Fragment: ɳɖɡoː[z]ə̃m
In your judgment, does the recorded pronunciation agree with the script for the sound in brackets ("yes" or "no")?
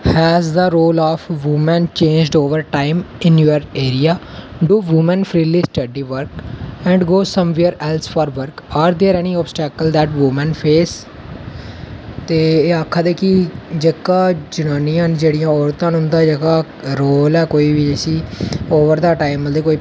no